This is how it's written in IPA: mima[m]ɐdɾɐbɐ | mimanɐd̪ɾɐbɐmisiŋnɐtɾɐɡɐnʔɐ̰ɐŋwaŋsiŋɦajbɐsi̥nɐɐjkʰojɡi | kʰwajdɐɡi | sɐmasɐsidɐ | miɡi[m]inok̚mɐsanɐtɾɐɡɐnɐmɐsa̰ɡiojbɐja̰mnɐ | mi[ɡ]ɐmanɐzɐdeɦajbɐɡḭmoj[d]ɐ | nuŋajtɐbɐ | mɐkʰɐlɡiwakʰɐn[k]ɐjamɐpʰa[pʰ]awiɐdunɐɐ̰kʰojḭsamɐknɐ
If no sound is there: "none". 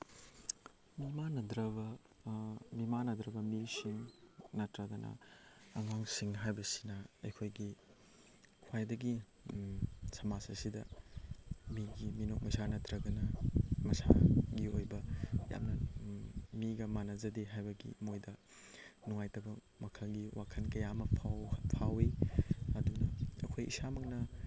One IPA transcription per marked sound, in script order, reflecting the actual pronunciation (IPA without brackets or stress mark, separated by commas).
n, m, ɡ, d, k, pʰ